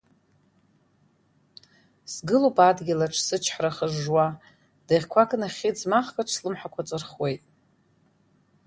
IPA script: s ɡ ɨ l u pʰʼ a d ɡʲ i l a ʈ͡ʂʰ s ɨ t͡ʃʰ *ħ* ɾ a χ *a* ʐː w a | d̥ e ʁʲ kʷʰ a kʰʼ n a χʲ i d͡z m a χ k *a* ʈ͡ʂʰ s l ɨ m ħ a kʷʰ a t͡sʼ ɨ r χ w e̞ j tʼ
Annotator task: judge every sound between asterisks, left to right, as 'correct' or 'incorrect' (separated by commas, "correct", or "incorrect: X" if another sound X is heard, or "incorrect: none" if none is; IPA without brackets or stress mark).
correct, incorrect: ə, correct